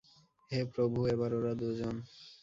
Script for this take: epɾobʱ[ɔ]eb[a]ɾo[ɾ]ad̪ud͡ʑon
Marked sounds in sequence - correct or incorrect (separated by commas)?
incorrect, correct, correct